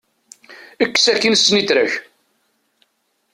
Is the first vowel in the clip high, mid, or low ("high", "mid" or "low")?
mid